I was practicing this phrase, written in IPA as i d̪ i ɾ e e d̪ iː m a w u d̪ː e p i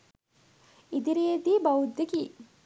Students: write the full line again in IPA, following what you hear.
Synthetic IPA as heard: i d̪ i ɾ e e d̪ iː b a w u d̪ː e k i